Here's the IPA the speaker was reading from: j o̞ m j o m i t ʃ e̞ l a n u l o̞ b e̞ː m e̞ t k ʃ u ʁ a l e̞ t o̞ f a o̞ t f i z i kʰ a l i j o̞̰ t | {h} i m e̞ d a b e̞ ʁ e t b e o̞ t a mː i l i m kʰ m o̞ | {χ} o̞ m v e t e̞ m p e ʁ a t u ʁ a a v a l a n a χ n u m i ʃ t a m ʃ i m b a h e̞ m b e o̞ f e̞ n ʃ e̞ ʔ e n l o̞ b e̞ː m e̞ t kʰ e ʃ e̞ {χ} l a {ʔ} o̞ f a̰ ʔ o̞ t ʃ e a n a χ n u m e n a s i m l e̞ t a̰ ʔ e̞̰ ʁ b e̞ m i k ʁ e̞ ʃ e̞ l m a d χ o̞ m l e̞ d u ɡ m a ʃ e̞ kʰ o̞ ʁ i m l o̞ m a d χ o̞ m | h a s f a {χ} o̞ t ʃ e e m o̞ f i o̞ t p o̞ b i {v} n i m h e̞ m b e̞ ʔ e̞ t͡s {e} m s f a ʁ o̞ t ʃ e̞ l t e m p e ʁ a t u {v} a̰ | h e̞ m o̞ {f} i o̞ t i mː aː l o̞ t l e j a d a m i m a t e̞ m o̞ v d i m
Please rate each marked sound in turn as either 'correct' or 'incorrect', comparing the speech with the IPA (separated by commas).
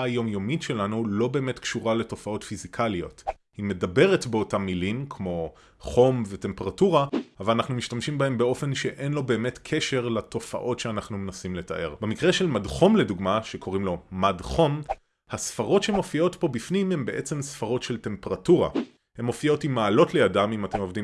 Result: correct, correct, incorrect, incorrect, incorrect, incorrect, correct, incorrect, correct